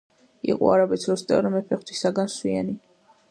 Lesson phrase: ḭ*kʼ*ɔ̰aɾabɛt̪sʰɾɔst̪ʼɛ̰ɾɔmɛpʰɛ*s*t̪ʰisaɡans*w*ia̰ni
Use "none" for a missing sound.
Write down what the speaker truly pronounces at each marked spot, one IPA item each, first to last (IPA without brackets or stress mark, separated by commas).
qʼ, χ, w